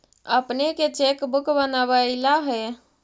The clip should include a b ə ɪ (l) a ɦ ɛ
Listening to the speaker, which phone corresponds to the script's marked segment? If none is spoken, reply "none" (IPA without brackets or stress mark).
l